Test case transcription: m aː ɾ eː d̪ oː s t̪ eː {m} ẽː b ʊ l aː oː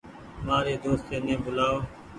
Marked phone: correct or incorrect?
incorrect